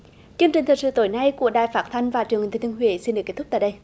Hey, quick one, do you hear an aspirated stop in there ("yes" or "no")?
yes